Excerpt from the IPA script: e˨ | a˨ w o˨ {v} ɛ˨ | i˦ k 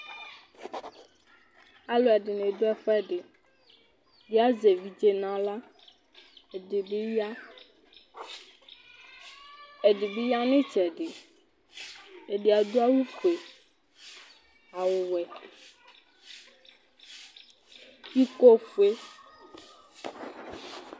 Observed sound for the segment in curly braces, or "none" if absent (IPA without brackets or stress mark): w